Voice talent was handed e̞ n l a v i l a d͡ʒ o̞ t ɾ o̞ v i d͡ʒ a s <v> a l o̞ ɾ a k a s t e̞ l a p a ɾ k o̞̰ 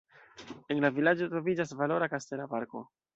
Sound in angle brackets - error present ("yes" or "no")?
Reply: no